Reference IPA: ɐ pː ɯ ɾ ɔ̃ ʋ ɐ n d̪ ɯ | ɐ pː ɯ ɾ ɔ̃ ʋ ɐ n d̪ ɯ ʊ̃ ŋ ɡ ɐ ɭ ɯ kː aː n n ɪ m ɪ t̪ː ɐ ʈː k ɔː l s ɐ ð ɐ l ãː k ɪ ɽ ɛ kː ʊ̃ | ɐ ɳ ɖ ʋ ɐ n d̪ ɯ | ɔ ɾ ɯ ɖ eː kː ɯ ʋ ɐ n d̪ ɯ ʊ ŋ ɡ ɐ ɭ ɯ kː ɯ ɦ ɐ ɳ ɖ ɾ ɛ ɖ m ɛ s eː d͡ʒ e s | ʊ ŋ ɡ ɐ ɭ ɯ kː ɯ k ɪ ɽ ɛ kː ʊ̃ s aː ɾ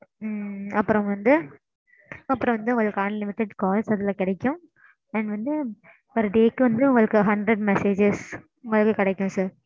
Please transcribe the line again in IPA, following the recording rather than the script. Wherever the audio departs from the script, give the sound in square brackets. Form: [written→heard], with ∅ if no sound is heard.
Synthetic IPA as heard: ɐ pː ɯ ɾ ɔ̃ ʋ ɐ n d̪ ɯ | ɐ pː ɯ ɾ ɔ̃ ʋ ɐ n d̪ ɯ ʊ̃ ŋ ɡ ɐ ɭ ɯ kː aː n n ɪ m ɪ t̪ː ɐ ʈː k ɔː l s ɐ ð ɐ l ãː k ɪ ɽ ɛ kː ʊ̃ | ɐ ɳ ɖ ʋ ɐ n d̪ ɯ | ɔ ɾ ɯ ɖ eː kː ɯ ʋ ɐ n d̪ ɯ ʊ ŋ ɡ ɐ ɭ ɯ kː ɯ ɦ ɐ ɳ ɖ ɾ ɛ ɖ m ɛ s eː d͡ʒ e s | ʊ ŋ ɡ ɐ ɭ ɯ kː ɯ k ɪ ɽ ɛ kː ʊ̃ s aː ɾ